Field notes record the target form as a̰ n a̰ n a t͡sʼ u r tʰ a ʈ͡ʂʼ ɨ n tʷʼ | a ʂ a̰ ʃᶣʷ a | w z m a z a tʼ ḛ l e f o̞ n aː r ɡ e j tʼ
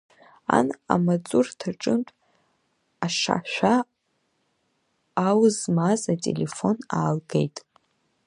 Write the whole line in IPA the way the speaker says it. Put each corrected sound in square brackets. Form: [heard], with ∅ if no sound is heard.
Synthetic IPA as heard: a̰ n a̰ [m] a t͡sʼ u r tʰ a ʈ͡ʂʼ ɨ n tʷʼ | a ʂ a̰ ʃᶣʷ a | w z m a z a tʼ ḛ l e f o̞ n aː [l] ɡ e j tʼ